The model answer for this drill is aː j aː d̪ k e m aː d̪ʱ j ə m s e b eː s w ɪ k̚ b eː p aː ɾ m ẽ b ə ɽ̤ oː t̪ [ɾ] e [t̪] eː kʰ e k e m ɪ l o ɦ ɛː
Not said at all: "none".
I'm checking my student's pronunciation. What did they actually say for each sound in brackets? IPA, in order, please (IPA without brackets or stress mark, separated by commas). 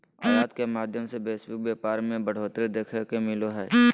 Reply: ɾ, d̪